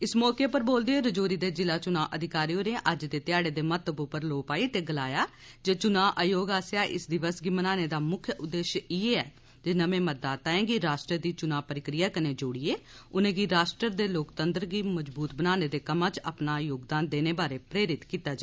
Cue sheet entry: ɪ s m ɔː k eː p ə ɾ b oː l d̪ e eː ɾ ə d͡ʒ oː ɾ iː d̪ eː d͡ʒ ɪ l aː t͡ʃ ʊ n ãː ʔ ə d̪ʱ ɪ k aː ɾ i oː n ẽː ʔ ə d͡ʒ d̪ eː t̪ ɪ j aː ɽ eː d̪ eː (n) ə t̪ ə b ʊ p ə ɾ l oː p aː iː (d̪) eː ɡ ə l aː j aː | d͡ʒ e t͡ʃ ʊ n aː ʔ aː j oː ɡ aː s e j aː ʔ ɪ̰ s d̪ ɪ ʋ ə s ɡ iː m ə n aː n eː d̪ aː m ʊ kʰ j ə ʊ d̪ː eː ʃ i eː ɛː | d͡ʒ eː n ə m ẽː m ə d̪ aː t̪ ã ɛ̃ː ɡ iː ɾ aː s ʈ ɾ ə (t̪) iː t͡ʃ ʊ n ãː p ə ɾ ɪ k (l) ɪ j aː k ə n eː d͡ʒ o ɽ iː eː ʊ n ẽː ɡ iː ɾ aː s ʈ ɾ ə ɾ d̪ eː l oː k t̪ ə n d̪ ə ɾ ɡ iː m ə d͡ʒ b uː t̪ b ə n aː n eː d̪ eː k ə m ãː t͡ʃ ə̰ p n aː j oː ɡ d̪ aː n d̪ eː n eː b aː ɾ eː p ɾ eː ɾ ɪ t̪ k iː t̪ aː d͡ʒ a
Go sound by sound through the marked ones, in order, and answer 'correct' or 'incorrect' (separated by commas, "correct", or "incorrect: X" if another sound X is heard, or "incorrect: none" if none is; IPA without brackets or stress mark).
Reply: incorrect: m, incorrect: t̪, incorrect: d̪, incorrect: ɾ